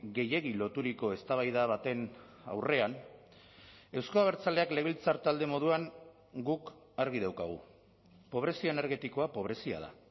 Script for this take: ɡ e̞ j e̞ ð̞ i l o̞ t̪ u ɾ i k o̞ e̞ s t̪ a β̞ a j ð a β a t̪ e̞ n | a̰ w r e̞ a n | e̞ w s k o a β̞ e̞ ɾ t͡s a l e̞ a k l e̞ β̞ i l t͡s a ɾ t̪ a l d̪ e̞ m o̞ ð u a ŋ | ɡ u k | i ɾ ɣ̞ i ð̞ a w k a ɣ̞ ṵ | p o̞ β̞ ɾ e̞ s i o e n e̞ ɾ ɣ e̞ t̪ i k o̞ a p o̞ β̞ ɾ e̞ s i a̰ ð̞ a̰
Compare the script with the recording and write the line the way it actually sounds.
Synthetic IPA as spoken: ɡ e̞ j e̞ ɣ̞ i l o̞ t̪ u ɾ i k o̞ e̞ s t̪ a β̞ a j ð a β a t̪ e̞ n | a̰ w r e̞ a n | e̞ w s k o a β̞ e̞ ɾ t͡s a l e̞ a k l e̞ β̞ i l t͡s a ɾ t̪ a l d̪ e̞ m o̞ ð u a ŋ | ɡ u k | a ɾ ɣ̞ i ð̞ a w k a ɣ̞ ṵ | p o̞ β̞ ɾ e̞ s i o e n e̞ ɾ ɣ e̞ t̪ i k o̞ a p o̞ β̞ ɾ e̞ s i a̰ ð̞ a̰

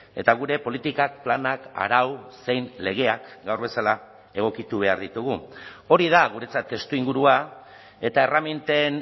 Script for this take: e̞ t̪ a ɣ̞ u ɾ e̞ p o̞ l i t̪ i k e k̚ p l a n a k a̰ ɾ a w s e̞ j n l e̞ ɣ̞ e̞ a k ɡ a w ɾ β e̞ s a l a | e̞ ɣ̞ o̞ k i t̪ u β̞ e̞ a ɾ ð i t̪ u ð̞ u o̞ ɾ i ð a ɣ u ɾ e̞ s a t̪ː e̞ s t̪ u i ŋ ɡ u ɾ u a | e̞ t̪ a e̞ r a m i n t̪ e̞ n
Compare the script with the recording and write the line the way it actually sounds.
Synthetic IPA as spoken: e̞ t̪ a ɣ̞ u ɾ e̞ p o̞ l i t̪ i k a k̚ p l a n a k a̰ ɾ a w s e̞ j n l e̞ ɣ̞ e̞ a k ɡ a w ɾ β e̞ s a l a | e̞ ɣ̞ o̞ k i t̪ u β̞ e̞ a ɾ ð i t̪ u ɣ̞ u o̞ ɾ i ð a ɣ u ɾ e̞ t͡s a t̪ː e̞ s t̪ u i ŋ ɡ u ɾ u a | e̞ t̪ a e̞ r a m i n t̪ e̞ n

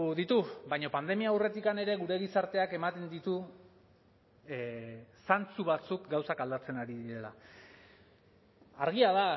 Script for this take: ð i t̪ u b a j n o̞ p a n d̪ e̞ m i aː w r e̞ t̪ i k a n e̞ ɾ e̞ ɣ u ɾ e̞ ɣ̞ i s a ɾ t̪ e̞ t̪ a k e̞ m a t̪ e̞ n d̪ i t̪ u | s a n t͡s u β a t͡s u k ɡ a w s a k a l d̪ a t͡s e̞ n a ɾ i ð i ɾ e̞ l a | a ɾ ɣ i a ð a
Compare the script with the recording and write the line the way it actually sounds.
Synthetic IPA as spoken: ð i t̪ u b a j ɲ o̞ p a n d̪ e̞ m i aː w r e̞ t̪ i k a n e̞ ɾ e̞ ɣ u ɾ e̞ ɣ̞ i s a ɾ t̪ e̞ a k e̞ m a t̪ e̞ n d̪ i t̪ u | s a n t͡s u β a t͡s u k ɡ a w s a k a l d̪ a t͡s e̞ n a ɾ i ð i ɾ e̞ l a | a ɾ ɣ i a ð a

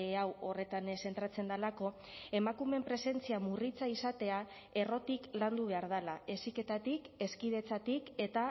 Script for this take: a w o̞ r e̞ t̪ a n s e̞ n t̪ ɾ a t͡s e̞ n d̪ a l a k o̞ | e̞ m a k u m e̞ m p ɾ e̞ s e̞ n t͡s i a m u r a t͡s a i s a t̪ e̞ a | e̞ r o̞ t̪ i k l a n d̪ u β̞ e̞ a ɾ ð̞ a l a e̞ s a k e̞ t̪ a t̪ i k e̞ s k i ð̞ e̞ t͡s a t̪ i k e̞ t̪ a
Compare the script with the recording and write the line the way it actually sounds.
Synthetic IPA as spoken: a w o̞ r e̞ t̪ a n s e̞ n t̪ ɾ a t͡s e̞ n d̪ a l a k o̞ | e̞ m a k u m e̞ m p ɾ e̞ s e̞ n t͡s i a m u r i t͡s a i s a t̪ e̞ a | e̞ r o̞ t̪ i k l a n d̪ u β̞ e̞ a ɾ ð̞ a l a e̞ s i k e̞ t̪ a t̪ i k e̞ s k i ð̞ e̞ t͡s a t̪ i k e̞ t̪ a

